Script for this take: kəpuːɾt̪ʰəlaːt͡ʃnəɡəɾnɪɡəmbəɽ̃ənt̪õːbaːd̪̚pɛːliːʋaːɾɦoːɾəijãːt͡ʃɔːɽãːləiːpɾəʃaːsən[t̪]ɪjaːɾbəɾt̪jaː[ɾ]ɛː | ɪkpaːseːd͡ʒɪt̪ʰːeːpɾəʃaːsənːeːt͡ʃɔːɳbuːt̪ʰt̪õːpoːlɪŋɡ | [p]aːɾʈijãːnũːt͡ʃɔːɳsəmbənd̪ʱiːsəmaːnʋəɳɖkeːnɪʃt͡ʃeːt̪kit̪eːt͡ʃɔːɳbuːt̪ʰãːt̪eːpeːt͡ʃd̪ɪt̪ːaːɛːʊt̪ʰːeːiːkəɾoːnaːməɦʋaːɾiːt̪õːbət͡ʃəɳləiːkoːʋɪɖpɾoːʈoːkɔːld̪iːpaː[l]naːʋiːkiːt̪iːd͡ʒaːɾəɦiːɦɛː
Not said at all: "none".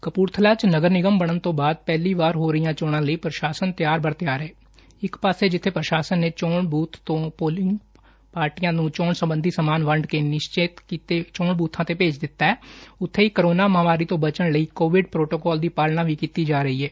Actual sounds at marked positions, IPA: t̪, ɾ, p, l

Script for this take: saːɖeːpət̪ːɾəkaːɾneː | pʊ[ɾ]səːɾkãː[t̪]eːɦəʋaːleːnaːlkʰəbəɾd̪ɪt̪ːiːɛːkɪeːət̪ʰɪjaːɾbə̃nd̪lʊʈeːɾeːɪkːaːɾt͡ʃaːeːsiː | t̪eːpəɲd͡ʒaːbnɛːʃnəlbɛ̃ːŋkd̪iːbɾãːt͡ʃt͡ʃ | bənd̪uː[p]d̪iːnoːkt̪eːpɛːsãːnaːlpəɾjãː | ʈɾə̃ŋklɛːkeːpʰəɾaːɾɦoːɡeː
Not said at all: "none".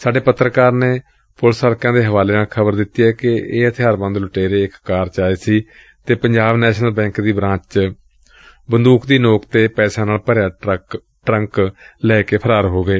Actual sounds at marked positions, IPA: l, d̪, k

